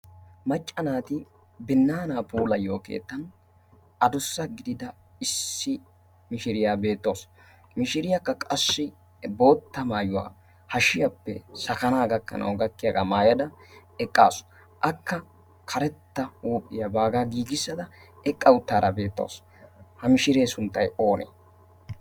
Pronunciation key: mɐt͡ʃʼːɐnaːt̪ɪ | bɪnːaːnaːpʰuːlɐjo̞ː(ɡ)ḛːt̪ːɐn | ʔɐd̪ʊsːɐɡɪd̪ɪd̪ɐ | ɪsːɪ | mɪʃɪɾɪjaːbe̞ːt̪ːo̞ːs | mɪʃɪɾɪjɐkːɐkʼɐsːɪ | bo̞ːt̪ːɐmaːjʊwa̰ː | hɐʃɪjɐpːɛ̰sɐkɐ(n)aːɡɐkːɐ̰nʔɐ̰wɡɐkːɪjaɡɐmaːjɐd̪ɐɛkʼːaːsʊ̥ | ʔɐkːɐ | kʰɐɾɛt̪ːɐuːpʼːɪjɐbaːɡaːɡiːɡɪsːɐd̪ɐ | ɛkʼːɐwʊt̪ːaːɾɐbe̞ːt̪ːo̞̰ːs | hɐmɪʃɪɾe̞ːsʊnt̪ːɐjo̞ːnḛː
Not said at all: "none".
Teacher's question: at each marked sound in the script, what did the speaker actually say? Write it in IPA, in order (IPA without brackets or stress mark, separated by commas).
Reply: k, n